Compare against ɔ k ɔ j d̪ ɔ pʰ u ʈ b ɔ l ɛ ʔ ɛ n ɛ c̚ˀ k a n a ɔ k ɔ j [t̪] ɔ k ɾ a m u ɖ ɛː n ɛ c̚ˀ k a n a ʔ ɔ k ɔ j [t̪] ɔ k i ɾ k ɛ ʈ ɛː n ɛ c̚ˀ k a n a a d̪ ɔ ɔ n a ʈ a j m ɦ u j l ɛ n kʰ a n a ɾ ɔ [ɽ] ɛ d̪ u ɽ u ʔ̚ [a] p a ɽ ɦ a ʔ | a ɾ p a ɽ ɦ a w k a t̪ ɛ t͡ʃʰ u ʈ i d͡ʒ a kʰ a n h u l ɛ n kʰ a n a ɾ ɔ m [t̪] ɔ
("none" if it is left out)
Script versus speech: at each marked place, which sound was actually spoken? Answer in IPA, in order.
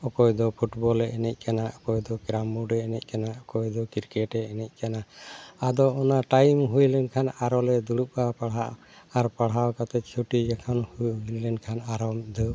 d̪, d̪, l, a, d̪

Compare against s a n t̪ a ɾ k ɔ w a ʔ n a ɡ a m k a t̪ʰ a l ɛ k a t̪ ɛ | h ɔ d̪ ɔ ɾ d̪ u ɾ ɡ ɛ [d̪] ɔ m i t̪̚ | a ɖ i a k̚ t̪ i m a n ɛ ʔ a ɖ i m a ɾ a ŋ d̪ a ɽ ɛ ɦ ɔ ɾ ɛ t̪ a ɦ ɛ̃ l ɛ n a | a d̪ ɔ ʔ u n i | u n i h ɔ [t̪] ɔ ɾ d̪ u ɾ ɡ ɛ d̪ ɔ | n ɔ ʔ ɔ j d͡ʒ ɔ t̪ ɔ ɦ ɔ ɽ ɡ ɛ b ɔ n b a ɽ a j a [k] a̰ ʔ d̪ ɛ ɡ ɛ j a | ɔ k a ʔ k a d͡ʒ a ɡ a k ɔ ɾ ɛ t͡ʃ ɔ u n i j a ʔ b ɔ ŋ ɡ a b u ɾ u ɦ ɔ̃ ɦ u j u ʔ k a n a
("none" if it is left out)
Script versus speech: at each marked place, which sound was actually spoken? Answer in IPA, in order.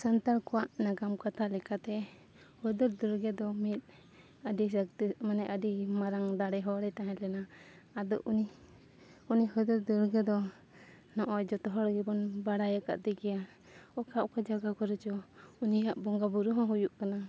d̪, d̪, k

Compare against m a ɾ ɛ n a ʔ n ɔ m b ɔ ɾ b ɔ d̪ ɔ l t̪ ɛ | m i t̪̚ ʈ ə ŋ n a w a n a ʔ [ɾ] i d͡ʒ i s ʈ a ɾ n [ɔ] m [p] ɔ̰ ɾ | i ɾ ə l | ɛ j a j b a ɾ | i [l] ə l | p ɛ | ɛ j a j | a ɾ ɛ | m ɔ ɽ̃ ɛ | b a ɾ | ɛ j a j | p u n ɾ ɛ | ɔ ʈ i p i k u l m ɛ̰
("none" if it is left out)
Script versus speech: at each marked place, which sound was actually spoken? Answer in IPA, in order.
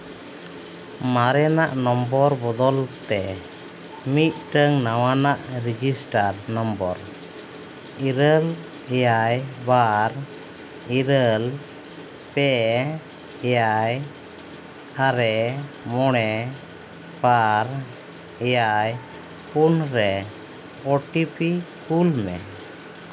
ɾ, ɔ, b, ɾ

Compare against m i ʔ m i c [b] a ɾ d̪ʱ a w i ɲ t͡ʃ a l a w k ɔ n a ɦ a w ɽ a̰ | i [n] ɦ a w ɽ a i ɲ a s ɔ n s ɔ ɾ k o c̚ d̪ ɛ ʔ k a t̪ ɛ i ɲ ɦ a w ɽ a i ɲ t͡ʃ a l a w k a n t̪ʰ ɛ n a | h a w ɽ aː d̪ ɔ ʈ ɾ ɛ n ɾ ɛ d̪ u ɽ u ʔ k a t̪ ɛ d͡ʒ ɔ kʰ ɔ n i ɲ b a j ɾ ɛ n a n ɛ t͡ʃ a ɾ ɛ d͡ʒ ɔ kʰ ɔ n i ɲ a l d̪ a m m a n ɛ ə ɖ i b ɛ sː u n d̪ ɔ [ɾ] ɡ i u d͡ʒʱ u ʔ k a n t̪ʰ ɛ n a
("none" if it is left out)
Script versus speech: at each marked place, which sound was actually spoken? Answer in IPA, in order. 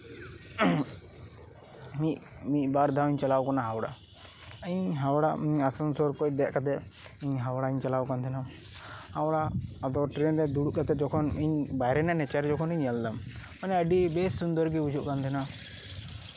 b, ɲ, ɾ

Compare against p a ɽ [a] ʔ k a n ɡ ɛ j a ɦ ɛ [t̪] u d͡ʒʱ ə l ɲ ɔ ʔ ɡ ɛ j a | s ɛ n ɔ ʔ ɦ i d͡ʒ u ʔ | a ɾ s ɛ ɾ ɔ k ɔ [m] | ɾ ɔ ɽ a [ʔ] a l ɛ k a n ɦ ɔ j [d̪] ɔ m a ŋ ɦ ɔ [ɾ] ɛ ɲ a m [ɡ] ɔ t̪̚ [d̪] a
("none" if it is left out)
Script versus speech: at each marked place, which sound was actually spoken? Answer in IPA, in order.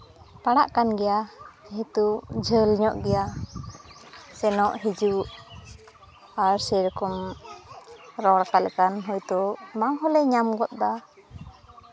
a, t̪, m, k, t̪, l, ɡ, d̪

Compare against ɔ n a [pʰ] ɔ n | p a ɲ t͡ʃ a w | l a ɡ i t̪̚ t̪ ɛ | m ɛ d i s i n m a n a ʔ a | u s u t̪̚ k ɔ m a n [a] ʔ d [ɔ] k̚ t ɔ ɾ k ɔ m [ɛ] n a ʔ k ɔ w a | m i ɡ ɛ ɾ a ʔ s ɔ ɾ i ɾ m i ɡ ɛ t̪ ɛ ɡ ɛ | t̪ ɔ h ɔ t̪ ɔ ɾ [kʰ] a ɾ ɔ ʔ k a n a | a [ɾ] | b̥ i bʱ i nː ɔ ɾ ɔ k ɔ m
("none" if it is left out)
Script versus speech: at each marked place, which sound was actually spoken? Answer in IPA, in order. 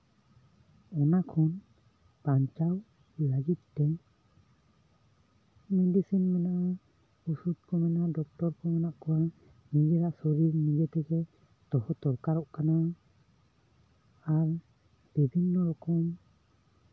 kʰ, a, ɔ, a, k, ɾ

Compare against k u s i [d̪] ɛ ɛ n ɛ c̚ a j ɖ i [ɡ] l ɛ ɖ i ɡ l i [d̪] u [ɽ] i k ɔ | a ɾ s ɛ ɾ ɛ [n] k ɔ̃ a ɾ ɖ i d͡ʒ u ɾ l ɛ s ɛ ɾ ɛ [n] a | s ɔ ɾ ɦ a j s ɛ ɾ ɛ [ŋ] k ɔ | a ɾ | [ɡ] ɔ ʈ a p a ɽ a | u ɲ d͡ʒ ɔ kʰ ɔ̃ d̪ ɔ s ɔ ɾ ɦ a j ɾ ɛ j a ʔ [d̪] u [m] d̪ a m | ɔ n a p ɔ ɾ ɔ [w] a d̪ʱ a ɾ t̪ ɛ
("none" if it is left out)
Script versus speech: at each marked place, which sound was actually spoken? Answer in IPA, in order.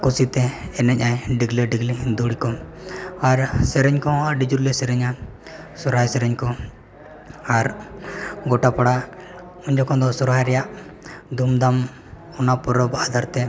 t̪, ɡ, d̪, ɽ, ɲ, ɲ, ɲ, ɡ, d̪, m, b

